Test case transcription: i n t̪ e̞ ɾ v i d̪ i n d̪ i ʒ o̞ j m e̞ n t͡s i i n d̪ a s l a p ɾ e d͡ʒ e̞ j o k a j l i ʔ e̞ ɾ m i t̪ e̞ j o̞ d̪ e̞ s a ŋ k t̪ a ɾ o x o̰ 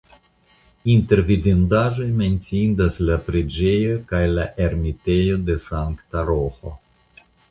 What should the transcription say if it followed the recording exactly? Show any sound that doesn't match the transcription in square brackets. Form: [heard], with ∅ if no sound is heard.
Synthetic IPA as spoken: i n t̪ e̞ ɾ v i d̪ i n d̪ [a] ʒ o̞ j m e̞ n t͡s i i n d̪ a s l a p ɾ e d͡ʒ e̞ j o k a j l [a] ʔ e̞ ɾ m i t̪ e̞ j o̞ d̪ e̞ s a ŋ k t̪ a ɾ o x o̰